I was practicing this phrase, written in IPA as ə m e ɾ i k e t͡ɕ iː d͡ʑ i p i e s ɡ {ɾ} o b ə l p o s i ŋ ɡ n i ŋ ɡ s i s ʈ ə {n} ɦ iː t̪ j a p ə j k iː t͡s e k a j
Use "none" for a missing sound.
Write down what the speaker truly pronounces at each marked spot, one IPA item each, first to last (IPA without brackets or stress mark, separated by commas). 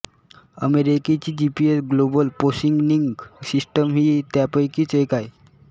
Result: l, m